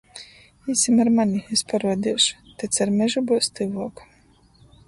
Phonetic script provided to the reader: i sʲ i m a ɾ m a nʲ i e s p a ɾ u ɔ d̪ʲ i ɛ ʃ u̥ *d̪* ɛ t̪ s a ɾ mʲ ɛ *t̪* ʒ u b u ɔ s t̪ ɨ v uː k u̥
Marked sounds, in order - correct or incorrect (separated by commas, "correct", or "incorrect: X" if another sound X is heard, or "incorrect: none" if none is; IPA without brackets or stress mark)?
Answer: incorrect: t̪, incorrect: none